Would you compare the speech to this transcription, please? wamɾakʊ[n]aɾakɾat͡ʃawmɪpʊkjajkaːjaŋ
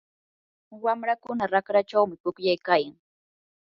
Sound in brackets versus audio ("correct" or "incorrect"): correct